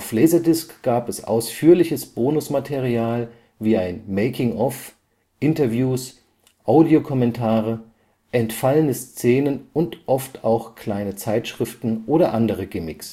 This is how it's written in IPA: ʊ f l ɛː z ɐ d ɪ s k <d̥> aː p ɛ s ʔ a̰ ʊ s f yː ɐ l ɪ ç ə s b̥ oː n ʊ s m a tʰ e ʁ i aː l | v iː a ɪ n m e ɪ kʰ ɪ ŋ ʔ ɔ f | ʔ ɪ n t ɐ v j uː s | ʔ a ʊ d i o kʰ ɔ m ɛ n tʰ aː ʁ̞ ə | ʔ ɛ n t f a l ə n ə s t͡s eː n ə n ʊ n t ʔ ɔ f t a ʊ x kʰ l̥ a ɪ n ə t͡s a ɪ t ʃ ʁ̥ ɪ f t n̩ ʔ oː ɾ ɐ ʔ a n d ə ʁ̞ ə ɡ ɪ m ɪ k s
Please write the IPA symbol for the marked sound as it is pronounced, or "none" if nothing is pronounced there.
ɡ̥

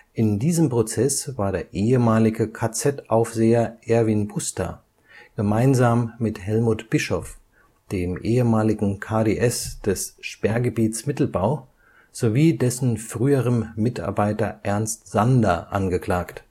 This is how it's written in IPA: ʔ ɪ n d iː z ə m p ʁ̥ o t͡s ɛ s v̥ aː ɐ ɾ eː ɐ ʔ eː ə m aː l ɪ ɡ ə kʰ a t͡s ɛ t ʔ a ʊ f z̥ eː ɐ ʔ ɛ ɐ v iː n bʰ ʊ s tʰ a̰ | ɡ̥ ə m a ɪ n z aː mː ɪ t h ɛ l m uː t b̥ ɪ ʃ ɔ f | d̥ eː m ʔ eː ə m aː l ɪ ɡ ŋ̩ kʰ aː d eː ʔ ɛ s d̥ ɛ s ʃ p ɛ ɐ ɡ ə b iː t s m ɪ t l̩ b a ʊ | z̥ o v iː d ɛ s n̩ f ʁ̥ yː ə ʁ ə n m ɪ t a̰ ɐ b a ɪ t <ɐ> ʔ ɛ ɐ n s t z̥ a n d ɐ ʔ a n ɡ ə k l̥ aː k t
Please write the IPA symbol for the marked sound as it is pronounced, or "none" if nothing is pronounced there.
ɐ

